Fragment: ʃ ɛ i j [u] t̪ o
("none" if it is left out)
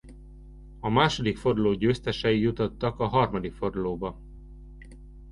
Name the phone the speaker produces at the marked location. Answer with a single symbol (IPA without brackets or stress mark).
u